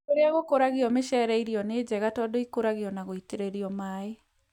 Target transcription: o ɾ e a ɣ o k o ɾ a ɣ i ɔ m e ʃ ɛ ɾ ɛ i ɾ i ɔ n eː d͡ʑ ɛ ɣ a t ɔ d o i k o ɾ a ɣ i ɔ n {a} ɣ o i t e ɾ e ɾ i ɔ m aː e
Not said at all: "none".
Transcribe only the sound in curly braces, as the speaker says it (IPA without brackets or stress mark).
a